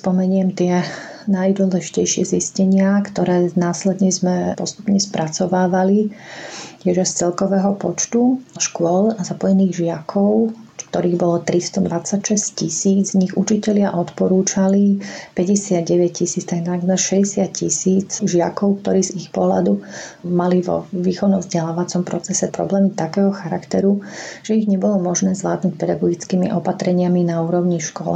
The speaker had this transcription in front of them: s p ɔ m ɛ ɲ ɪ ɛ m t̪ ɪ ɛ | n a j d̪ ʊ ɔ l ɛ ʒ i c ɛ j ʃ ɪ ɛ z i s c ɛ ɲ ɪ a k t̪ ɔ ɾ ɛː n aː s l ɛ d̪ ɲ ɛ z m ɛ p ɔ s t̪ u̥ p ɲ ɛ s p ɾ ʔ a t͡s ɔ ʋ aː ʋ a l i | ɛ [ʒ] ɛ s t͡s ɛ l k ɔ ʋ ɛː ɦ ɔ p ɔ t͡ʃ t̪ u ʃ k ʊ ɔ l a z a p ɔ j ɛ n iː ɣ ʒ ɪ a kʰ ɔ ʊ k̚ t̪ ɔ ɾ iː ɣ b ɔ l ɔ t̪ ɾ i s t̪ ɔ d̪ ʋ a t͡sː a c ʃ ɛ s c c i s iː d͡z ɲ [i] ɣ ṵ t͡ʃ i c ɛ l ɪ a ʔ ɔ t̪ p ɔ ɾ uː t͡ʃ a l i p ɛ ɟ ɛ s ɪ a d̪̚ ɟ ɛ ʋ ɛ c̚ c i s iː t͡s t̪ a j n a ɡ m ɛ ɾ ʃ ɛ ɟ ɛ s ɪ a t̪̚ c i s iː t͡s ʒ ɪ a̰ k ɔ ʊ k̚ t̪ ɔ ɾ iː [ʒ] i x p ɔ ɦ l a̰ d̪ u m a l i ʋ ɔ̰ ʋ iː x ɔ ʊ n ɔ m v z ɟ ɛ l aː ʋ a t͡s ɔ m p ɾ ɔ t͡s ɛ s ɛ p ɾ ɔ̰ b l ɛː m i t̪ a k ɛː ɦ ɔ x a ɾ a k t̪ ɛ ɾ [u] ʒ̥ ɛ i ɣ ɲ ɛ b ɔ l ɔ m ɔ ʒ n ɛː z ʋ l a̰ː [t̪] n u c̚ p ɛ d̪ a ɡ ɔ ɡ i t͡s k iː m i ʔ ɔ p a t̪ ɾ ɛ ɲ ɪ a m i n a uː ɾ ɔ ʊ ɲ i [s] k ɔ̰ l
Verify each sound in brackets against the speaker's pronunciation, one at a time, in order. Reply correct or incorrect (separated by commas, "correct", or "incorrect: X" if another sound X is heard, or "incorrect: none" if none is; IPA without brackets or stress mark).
correct, correct, incorrect: z, correct, incorrect: d̪, incorrect: ʃ